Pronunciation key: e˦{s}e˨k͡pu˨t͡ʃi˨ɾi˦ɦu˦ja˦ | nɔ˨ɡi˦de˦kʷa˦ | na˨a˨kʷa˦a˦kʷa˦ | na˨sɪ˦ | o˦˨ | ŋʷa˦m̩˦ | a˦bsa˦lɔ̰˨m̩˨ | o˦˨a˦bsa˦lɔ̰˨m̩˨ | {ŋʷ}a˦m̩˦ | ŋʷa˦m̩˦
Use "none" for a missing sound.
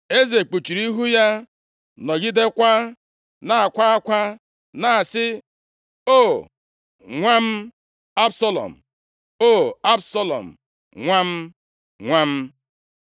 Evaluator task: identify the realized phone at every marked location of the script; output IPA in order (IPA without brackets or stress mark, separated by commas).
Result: z, ŋʷ